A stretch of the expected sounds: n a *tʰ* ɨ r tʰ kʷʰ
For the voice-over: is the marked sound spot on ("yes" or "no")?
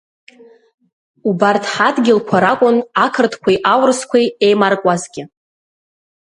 no